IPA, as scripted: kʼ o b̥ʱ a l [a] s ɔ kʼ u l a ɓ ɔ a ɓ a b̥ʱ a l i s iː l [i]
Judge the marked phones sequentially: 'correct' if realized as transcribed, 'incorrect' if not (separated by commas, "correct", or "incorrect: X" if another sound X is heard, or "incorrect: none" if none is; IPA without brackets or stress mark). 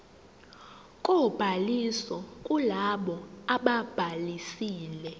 incorrect: i, incorrect: ɛ